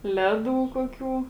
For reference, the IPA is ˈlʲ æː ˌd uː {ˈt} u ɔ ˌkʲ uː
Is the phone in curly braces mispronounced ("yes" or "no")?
yes